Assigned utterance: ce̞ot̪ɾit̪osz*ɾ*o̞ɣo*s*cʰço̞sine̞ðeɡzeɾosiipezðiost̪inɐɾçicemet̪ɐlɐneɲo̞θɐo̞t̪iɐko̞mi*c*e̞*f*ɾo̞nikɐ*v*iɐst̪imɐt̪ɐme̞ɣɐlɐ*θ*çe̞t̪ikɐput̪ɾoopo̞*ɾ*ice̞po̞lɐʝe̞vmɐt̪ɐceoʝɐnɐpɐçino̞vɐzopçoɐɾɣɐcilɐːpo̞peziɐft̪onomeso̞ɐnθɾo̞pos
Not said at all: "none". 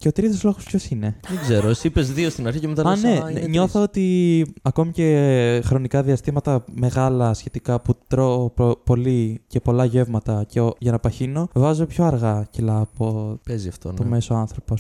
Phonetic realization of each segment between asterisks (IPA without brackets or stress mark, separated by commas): l, s, c, x, ð, s, l